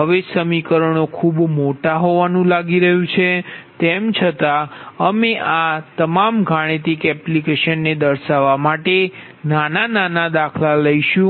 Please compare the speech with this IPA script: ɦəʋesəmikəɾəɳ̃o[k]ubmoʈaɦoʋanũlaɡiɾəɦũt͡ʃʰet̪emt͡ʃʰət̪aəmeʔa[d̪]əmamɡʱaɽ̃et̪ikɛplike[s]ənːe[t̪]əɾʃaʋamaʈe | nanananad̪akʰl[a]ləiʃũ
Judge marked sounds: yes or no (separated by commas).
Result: no, no, no, no, yes